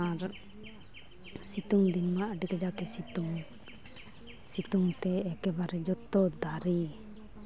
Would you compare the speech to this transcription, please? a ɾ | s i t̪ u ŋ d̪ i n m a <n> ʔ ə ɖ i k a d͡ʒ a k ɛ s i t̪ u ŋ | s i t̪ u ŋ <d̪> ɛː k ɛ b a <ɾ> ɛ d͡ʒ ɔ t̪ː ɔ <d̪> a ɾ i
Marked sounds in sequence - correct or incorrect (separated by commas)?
incorrect, incorrect, correct, correct